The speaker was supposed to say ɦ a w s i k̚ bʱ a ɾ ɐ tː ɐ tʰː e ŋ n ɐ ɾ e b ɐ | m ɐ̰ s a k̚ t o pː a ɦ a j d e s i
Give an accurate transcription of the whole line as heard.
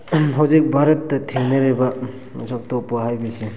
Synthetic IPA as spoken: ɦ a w z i k̚ bʱ a ɾ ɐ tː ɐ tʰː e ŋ n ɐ ɾ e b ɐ | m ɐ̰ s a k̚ t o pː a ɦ a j b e s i